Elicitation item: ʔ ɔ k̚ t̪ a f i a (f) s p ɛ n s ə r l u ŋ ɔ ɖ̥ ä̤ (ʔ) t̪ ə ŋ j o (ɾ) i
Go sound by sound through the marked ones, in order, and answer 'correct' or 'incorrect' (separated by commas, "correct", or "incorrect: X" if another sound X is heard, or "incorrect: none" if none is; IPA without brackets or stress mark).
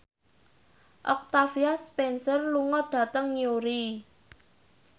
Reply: incorrect: none, incorrect: none, correct